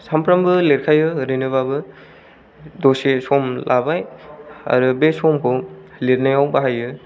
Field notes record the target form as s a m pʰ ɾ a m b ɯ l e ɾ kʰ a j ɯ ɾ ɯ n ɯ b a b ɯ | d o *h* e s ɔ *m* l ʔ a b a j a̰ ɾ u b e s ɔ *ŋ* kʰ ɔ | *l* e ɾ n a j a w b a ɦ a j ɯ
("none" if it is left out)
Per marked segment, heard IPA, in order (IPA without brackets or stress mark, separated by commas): s, m, m, l